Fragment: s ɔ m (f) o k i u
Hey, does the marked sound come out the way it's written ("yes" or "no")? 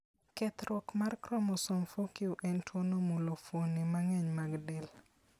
yes